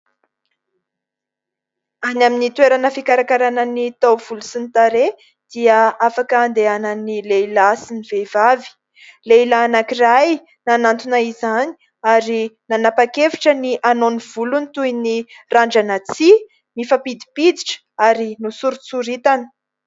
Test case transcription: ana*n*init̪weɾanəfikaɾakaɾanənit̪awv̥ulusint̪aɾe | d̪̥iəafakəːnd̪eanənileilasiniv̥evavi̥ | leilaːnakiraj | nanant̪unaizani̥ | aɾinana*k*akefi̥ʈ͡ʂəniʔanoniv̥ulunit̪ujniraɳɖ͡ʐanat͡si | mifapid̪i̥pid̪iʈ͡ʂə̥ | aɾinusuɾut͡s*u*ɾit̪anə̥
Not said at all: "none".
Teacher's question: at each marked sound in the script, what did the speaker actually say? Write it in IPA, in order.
m, p, u

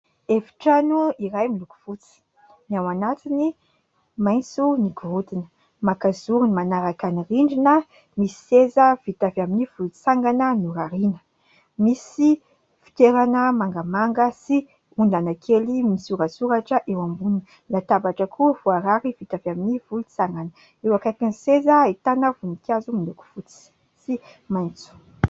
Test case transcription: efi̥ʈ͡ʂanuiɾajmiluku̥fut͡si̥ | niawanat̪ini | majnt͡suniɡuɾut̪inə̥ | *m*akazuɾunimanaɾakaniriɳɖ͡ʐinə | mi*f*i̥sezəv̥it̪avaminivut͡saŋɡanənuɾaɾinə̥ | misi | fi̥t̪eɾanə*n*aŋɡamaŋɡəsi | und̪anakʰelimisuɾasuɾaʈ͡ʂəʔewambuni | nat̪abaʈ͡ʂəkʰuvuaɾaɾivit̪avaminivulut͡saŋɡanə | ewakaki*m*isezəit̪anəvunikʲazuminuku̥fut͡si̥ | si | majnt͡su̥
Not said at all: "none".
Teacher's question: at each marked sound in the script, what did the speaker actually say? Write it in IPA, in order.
m, s, m, n

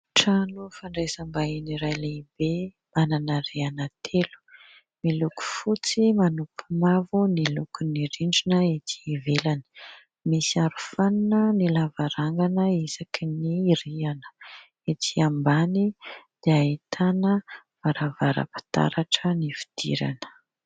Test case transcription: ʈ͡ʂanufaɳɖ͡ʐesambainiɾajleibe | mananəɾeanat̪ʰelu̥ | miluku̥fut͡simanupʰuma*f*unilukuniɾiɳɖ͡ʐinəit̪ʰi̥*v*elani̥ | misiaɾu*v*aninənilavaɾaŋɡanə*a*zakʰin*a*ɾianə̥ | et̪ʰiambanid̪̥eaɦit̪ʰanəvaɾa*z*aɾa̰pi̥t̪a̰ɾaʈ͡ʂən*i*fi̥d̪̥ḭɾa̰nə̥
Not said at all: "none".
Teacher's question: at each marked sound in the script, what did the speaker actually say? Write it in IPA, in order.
v, v, f, i, i, v, i

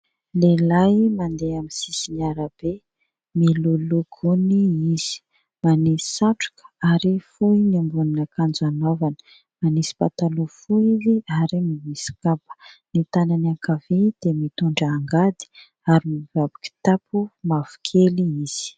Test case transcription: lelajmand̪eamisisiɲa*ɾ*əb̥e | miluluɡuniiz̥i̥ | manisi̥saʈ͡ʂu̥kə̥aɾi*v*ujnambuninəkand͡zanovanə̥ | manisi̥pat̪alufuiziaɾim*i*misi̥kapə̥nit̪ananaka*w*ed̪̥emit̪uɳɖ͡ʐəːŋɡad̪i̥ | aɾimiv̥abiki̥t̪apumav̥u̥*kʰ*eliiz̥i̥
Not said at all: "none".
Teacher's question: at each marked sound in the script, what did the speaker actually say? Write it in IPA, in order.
ɾ, f, i, v, kʰ

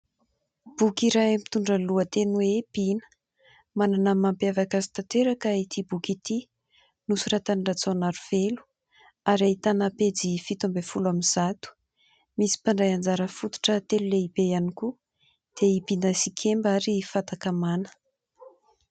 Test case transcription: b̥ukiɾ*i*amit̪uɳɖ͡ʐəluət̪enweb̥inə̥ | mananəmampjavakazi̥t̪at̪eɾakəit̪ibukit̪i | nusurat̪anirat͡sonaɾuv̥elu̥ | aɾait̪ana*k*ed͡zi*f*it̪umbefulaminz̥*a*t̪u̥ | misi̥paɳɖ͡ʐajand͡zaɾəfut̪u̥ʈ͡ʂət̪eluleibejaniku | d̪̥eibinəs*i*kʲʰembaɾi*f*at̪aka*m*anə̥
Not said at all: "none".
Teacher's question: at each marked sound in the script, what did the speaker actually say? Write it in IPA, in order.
a, p, f, a, i, f, m

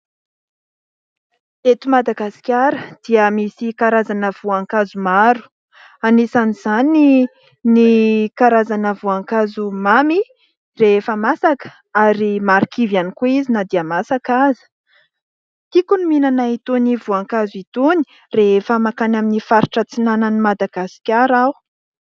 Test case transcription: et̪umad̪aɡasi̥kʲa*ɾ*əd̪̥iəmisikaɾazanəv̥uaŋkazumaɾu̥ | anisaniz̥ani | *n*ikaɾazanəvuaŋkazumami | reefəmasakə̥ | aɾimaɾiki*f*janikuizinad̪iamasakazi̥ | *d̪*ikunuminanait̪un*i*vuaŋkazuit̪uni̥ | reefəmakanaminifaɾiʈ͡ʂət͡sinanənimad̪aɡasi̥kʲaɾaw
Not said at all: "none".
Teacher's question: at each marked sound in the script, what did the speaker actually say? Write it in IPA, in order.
ɾ, n, v, t̪, i

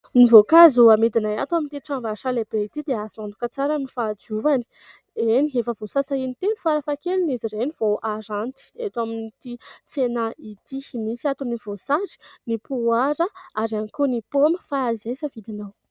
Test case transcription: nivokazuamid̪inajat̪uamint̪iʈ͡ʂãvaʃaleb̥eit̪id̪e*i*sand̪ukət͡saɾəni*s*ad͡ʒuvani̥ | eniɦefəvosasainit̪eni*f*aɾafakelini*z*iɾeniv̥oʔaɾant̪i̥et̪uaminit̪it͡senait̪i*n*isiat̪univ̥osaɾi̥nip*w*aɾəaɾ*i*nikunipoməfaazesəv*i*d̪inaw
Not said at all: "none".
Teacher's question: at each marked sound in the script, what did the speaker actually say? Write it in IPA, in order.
a, f, f, z, m, u, a, i

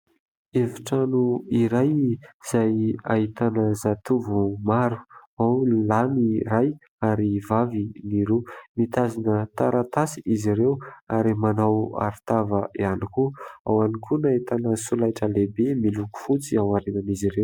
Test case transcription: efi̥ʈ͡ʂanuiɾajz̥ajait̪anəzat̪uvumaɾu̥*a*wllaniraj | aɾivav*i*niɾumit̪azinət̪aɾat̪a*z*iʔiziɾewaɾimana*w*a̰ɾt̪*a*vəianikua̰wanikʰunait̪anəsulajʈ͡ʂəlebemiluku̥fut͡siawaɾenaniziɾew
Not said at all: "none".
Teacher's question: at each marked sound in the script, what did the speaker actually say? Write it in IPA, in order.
a, i, s, w, a

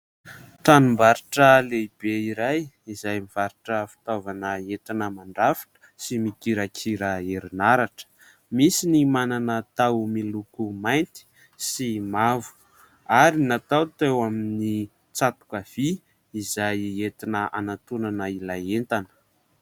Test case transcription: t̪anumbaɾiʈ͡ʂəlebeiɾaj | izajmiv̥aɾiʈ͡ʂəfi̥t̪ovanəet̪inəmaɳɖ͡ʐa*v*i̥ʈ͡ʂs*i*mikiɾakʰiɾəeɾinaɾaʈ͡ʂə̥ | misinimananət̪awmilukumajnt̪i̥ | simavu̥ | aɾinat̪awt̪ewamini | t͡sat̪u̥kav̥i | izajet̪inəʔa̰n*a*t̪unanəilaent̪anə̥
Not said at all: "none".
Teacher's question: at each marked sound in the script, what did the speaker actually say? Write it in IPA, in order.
f, i, a

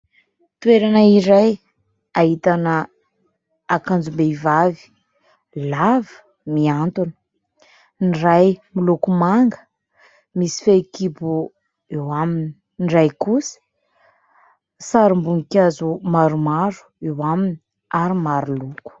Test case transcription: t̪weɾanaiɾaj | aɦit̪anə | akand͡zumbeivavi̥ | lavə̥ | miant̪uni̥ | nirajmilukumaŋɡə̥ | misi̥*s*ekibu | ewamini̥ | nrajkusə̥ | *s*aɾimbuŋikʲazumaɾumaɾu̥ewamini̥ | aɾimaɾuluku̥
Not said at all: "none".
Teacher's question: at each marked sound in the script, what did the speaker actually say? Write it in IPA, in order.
f, s

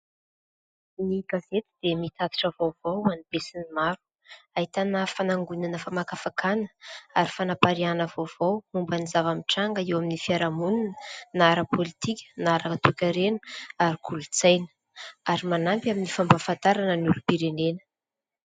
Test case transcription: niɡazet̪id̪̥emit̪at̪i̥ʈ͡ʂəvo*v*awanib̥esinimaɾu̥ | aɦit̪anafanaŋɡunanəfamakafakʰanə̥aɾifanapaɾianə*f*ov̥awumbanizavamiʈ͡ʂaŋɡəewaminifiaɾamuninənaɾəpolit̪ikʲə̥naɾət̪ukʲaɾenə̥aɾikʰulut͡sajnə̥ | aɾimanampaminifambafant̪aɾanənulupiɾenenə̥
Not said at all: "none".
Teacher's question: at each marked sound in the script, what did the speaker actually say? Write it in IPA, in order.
v, v

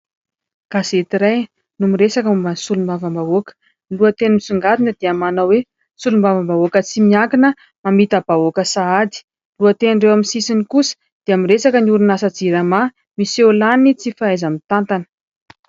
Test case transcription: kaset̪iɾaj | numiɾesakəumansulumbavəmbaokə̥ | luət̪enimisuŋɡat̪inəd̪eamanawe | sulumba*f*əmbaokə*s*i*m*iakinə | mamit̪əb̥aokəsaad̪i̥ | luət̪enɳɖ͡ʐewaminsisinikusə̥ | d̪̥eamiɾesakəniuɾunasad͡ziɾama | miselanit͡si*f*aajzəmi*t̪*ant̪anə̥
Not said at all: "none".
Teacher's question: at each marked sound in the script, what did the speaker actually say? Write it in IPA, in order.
v, t͡s, m, f, t̪

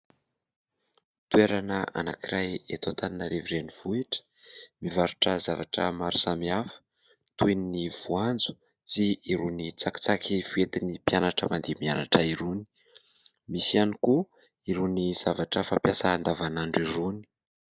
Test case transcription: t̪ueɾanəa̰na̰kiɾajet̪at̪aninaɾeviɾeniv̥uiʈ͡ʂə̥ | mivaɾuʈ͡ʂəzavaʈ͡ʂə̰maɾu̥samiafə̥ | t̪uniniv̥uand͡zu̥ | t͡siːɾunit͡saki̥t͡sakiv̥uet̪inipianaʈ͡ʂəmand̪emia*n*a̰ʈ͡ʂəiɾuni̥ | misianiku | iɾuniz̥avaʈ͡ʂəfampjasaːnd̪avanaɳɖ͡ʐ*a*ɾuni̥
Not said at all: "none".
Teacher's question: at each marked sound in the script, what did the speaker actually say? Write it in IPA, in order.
n, i

